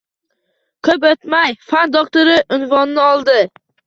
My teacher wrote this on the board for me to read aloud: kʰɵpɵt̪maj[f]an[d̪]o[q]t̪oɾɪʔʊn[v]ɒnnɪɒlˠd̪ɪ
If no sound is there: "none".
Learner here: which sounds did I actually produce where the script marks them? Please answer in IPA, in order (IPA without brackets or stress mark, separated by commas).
f, d̪, k, v